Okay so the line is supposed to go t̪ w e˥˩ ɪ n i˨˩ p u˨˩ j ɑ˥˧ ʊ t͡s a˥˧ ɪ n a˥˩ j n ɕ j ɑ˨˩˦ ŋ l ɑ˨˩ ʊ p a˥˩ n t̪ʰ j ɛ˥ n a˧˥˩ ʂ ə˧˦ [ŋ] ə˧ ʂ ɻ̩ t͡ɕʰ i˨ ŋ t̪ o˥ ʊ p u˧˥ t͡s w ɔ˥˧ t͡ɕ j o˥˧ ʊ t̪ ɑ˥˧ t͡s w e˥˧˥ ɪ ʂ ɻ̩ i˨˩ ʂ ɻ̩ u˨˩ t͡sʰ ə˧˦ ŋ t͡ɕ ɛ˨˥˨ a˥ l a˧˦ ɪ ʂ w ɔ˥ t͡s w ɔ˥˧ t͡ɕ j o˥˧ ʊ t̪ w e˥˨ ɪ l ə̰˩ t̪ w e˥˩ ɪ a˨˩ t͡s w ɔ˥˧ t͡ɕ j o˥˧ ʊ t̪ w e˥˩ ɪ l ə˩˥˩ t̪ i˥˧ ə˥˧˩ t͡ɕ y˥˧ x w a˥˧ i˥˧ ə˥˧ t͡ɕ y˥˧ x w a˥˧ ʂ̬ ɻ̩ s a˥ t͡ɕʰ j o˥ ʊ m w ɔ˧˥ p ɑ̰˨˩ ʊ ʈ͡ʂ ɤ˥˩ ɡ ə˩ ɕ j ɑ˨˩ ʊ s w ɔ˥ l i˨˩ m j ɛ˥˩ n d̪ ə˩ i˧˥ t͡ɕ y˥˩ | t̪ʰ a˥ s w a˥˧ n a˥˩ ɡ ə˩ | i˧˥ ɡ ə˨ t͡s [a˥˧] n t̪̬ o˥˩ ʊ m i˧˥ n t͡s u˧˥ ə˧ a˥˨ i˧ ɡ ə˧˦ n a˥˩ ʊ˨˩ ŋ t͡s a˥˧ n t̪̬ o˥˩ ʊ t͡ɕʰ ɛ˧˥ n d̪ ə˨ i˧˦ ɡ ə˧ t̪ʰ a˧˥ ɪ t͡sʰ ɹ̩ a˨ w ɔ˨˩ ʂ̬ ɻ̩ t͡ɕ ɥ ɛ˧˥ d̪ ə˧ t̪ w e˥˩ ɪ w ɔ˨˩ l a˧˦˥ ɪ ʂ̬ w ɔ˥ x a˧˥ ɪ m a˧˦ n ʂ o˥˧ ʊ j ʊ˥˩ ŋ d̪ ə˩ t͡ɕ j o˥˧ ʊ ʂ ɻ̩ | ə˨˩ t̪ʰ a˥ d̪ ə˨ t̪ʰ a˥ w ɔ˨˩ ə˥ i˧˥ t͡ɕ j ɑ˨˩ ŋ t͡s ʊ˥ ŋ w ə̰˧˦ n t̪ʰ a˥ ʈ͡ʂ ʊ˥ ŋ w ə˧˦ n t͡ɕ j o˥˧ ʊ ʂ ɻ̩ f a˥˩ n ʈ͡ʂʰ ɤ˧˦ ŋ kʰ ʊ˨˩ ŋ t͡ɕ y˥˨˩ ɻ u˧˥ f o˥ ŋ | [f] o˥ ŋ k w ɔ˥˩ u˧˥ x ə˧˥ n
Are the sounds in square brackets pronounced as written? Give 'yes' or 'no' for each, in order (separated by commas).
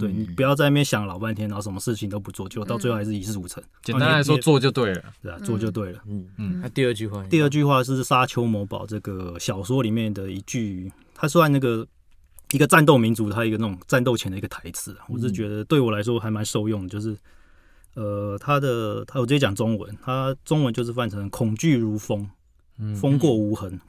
no, yes, yes